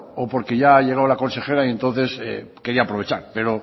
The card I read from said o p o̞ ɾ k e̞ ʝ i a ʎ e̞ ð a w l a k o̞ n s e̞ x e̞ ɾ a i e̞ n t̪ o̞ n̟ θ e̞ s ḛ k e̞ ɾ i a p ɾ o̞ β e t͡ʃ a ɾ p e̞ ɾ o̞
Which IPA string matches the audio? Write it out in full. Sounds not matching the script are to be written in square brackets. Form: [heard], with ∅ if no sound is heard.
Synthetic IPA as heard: o p o̞ ɾ k e̞ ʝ [a] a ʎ e̞ [ɣ] a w l a k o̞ n s e̞ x e̞ ɾ a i e̞ n t̪ o̞ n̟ θ e̞ s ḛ k e̞ ɾ i a p ɾ o̞ β e t͡ʃ a ɾ p e̞ ɾ o̞